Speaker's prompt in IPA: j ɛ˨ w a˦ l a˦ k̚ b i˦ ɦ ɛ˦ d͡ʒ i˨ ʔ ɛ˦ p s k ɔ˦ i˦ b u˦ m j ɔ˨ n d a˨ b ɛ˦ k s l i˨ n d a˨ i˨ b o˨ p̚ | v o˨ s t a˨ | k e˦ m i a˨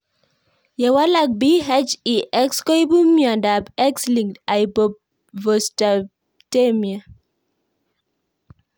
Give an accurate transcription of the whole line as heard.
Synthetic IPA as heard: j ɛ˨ w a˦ l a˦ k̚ b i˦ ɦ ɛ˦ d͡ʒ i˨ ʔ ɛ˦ k s k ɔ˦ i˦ b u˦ m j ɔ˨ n d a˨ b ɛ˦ k s l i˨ ŋ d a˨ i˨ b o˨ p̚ | v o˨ s t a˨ | t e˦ m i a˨